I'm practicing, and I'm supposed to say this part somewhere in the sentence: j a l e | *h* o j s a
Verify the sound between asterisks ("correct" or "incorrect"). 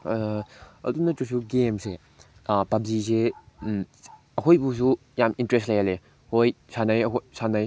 correct